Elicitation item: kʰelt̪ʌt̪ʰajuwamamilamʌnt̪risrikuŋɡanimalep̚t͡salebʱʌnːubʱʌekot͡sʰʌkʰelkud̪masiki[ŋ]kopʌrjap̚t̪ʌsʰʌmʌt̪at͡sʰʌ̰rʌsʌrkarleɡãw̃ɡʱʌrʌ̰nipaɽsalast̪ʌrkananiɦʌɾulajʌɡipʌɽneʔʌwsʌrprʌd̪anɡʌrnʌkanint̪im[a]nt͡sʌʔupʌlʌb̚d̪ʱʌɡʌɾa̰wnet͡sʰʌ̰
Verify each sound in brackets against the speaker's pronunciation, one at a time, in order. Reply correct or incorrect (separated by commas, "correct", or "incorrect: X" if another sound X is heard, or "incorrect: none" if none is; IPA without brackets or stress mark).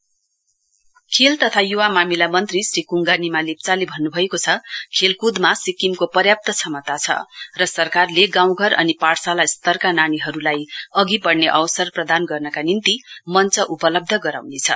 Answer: incorrect: m, incorrect: ʌ